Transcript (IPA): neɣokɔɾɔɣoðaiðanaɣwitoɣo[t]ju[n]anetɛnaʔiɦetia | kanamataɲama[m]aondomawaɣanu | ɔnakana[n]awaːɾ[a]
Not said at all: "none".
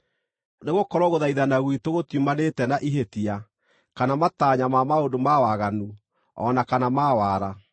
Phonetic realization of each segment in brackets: t, m, m, m, a

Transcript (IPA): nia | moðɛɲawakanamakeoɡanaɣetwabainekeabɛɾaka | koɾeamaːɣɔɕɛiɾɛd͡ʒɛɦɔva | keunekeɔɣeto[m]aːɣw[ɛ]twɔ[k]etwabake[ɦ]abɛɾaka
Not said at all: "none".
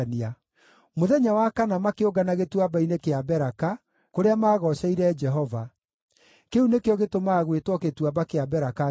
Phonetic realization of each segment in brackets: m, e, k, none

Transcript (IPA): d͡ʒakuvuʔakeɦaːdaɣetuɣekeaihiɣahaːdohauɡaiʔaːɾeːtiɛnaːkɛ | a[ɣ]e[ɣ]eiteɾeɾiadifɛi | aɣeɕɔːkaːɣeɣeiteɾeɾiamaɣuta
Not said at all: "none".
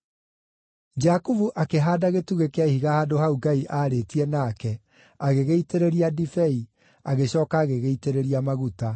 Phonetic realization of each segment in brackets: ɣ, ɣ

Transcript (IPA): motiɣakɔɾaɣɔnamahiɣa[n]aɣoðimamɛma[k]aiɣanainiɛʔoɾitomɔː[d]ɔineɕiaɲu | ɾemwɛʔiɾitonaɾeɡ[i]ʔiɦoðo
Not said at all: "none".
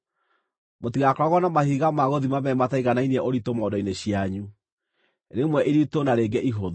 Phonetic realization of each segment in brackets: m, t, d, ɛ

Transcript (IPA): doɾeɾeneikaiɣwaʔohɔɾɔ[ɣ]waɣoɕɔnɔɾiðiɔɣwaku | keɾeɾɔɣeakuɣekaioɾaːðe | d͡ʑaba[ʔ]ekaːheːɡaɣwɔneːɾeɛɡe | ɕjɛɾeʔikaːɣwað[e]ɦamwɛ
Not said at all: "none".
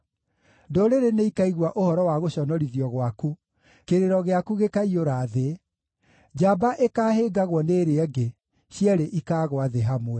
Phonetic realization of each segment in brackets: none, ʔ, e

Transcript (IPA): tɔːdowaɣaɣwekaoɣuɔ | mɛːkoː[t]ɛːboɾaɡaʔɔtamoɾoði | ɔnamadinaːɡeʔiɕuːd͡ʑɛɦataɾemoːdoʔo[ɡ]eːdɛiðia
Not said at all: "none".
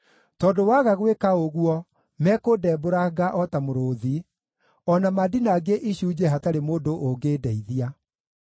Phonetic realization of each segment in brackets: d, ɡ

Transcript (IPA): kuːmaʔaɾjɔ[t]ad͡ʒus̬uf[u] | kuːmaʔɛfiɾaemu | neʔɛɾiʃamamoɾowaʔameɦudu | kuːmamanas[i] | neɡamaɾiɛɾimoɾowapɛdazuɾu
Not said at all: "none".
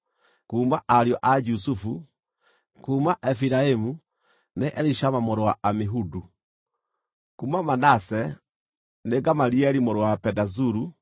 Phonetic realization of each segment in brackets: ʔ, u, ɛ

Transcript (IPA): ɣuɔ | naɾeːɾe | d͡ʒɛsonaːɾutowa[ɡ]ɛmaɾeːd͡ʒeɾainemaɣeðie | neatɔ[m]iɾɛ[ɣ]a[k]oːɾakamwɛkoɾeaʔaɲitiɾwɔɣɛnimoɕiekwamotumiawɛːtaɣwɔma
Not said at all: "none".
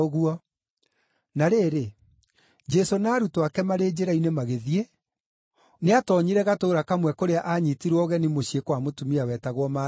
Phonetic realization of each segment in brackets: k, ɲ, ɣ, t

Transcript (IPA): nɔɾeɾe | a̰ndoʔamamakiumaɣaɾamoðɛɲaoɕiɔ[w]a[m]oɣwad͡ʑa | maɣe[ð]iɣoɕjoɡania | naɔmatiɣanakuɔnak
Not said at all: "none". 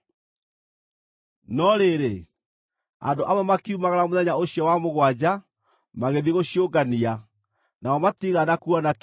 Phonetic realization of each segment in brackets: w, m, ð

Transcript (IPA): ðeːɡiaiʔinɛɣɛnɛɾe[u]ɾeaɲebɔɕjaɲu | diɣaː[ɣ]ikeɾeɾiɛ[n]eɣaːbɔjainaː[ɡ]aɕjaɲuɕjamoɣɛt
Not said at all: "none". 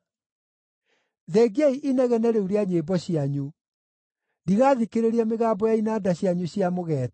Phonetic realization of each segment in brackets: u, ð, m, d

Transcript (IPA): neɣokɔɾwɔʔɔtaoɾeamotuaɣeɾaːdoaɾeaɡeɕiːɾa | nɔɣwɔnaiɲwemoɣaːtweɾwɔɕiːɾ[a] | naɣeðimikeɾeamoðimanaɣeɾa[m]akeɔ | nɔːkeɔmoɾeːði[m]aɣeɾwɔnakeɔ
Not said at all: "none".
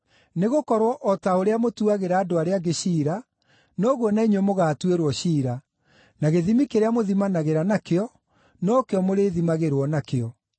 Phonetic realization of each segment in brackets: a, n, m

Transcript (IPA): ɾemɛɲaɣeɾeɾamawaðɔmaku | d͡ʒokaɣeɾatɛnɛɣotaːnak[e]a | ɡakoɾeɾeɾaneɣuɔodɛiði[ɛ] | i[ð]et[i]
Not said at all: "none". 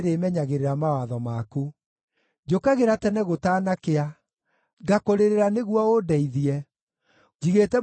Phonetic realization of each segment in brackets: e, ɛ, ɣ, ɛ

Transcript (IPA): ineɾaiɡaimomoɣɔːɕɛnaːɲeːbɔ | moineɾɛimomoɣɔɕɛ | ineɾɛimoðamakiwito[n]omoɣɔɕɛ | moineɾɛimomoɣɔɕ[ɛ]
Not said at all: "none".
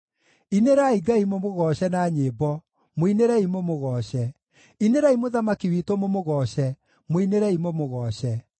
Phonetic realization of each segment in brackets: m, ɛ

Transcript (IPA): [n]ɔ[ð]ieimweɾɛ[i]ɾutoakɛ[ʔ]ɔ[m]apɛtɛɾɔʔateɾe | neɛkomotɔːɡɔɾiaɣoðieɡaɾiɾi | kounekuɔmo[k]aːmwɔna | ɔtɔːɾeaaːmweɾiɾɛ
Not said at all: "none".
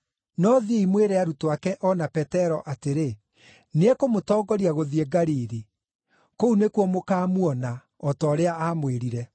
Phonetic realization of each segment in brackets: n, ð, a, ʔ, n, k

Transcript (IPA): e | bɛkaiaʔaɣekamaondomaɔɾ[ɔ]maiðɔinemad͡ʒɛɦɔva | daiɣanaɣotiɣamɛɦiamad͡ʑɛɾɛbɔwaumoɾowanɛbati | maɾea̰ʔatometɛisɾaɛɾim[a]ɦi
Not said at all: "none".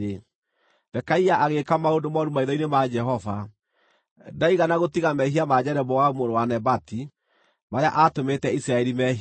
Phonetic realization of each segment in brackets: u, ɛ

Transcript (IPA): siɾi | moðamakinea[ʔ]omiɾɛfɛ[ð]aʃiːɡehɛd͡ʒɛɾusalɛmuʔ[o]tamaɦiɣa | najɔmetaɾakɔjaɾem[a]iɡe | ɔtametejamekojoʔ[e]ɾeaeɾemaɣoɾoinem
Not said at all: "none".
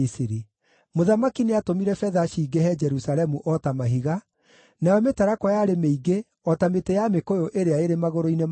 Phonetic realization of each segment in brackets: t, ð, ɔ, e, e

